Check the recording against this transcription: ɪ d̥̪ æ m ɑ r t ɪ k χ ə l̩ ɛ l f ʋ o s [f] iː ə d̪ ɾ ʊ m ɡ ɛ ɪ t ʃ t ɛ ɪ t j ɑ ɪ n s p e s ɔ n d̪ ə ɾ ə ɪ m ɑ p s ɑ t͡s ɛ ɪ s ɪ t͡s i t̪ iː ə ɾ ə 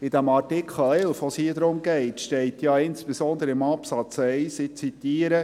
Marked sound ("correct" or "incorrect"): incorrect